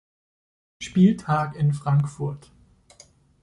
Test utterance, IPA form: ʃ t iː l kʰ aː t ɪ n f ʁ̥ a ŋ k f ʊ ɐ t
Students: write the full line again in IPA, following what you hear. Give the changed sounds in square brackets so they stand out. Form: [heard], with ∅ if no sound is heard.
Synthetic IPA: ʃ [p] iː l [tʰ] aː [k] ɪ n f ʁ̥ a ŋ k f ʊ ɐ t